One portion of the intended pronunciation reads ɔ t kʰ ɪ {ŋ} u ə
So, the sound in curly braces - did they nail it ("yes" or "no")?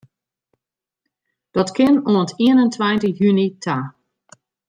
no